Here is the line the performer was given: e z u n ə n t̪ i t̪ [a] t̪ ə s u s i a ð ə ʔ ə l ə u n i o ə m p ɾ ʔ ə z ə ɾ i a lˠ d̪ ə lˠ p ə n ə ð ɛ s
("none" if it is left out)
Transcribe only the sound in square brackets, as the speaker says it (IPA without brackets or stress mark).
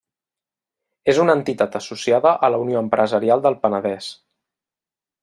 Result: a